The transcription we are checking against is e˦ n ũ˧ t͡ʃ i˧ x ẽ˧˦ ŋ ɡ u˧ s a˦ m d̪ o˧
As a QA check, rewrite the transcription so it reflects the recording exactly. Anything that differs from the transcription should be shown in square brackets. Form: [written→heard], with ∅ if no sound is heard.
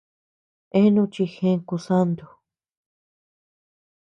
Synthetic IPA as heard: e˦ n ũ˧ t͡ʃ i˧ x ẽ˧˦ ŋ [ɡ→k] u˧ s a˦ [m→n] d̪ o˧